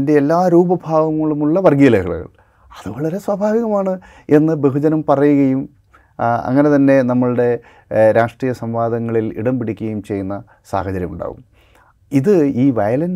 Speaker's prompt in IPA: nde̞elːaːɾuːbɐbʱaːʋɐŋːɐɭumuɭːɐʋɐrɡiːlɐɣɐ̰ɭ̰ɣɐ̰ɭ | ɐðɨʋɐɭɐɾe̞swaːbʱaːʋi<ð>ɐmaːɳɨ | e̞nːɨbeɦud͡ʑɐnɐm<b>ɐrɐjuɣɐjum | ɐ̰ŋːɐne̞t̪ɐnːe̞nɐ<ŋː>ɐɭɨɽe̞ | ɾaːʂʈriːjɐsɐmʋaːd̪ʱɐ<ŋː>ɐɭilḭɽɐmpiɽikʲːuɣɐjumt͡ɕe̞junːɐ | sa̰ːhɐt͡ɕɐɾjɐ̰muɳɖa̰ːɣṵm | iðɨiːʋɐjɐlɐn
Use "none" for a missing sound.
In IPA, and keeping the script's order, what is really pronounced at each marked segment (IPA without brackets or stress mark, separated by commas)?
ɣ, p, mː, ŋː